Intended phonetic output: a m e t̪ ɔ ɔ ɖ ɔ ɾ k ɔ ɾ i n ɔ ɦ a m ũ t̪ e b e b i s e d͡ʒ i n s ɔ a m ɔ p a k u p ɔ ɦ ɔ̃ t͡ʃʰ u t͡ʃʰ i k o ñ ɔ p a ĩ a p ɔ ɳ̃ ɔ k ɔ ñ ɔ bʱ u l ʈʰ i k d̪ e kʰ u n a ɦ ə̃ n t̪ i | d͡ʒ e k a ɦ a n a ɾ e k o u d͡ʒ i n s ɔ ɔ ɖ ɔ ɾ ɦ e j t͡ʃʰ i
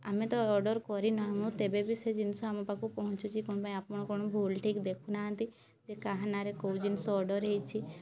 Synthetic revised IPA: a m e t̪ ɔ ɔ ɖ ɔ ɾ k ɔ ɾ i n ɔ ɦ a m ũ t̪ e b e b i s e d͡ʒ i n s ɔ a m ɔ p a k u p ɔ ɦ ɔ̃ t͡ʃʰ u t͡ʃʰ i k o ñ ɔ p a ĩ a p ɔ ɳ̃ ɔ k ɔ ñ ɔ bʱ u l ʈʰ i k d̪ e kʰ u n a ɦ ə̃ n t̪ i | d͡ʒ e k a ɦ a n a ɾ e k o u d͡ʒ i n s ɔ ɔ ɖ ɔ ɾ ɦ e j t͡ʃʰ i